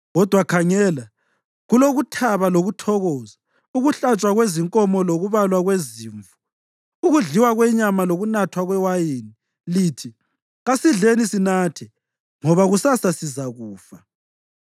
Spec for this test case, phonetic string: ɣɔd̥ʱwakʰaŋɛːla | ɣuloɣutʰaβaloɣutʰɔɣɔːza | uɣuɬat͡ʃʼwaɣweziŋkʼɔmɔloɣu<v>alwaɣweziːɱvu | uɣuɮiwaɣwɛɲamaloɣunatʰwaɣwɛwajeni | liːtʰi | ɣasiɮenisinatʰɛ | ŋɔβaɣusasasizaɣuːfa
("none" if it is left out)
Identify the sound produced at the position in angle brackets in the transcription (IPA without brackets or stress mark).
β